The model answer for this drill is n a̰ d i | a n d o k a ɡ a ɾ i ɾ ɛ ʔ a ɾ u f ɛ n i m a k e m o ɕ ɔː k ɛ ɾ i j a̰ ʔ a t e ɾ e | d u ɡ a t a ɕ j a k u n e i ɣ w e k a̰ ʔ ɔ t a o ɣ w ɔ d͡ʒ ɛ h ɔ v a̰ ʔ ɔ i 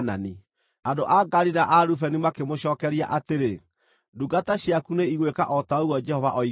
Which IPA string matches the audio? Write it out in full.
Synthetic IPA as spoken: n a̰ n i | a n d o ʔ a ɡ a ɾ i ɾ a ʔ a ɾ u f ɛ n i m a k e m o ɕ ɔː k ɛ ɾ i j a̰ ʔ a t e ɾ e | d u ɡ a t a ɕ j a k u n e i ɣ w e k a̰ ʔ ɔ t a o ɣ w ɔ d͡ʒ ɛ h ɔ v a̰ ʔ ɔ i